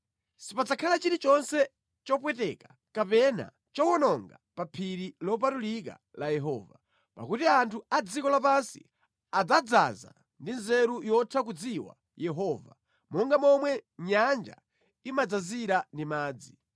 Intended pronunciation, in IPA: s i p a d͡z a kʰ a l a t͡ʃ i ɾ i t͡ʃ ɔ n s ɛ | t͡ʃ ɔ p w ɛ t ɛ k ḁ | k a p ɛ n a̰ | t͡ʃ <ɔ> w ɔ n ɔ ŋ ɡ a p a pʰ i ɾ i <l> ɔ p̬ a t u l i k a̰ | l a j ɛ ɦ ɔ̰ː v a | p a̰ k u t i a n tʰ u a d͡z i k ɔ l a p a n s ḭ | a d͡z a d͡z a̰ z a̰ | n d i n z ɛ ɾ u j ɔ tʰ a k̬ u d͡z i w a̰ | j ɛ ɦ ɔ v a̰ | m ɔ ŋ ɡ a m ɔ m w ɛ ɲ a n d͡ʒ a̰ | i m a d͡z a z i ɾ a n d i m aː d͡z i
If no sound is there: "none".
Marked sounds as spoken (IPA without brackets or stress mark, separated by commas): ɔ, l